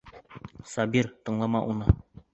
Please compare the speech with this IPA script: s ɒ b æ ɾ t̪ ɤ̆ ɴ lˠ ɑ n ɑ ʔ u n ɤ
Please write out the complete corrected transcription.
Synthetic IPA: s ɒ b i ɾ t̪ ɤ̆ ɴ lˠ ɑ m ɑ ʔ u n ɤ